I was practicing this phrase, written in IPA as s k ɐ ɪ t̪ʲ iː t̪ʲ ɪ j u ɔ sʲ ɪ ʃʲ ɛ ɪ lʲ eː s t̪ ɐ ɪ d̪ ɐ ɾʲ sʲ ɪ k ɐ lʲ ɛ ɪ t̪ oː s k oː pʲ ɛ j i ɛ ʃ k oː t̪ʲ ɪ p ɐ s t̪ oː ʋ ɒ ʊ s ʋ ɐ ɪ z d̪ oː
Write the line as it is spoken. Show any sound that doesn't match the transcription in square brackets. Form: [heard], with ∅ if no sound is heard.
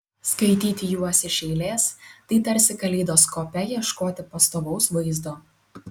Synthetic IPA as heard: s k ɐ ɪ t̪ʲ iː t̪ʲ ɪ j u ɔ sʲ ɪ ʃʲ ɛ ɪ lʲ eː s t̪ ɐ ɪ [t̪] ɐ ɾʲ sʲ ɪ k ɐ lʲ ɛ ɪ [d̪] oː s k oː pʲ ɛ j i ɛ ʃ k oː t̪ʲ ɪ p ɐ s t̪ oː ʋ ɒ ʊ s ʋ ɐ ɪ z d̪ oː